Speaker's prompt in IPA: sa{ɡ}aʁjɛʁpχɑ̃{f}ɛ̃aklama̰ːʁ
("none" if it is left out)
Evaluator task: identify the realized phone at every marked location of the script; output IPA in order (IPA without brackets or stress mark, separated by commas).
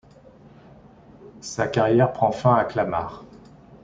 k, f